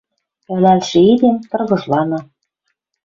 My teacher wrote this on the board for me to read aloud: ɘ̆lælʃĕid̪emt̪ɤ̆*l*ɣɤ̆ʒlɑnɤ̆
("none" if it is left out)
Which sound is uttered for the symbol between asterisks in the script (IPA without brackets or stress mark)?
r